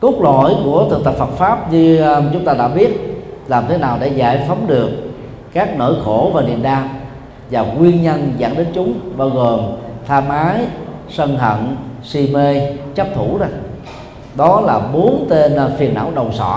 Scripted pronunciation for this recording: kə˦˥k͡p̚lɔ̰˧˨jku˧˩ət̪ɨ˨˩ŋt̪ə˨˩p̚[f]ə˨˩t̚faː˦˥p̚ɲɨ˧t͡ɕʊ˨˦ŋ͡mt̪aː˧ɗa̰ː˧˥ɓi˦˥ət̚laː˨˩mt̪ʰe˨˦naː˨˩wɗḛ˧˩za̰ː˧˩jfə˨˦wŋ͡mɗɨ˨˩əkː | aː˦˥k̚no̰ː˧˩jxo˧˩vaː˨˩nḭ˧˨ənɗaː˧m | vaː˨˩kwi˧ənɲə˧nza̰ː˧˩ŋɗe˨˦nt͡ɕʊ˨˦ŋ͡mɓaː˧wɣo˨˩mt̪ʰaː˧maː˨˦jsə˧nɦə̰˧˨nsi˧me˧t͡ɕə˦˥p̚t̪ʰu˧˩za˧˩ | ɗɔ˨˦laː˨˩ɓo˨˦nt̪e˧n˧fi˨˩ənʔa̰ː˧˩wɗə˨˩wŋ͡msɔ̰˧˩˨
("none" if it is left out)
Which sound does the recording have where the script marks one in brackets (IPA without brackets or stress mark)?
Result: f